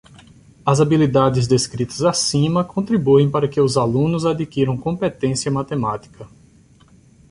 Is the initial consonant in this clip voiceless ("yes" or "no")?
no